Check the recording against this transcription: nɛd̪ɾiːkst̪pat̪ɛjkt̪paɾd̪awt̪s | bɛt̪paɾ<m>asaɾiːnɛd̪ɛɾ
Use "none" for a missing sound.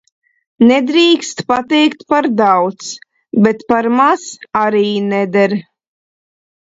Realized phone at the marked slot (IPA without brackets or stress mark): m